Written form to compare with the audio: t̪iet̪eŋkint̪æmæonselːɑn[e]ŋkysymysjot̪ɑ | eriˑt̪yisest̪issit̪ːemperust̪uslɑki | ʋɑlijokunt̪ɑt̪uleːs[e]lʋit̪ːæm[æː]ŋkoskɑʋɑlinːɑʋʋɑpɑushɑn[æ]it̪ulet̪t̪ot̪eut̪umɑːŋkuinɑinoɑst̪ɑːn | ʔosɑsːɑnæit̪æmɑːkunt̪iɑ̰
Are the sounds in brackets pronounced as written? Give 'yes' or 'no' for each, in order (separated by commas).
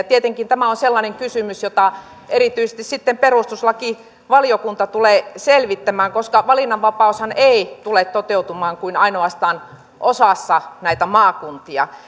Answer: yes, yes, yes, no